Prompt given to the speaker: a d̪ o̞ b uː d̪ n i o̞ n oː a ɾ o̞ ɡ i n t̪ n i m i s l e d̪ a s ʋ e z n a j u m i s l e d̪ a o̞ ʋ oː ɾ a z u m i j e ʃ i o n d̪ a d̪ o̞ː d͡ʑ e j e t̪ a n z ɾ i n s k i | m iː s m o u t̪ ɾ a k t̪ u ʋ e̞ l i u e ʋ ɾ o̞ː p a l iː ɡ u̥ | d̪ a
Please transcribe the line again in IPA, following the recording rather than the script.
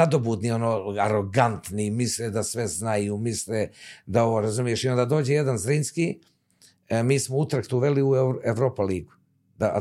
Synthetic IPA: a d̪ o̞ b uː d̪ n i o̞ n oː a ɾ o̞ ɡ a n t̪ n i m i s l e d̪ a s ʋ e z n a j u m i s l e d̪ a o̞ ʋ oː ɾ a z u m i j e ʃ i o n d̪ a d̪ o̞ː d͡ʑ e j e d̪ a n z ɾ i n s k i | m iː s m o u t̪ ɾ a k t̪ u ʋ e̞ l i u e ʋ ɾ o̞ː p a l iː ɡ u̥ | d̪ a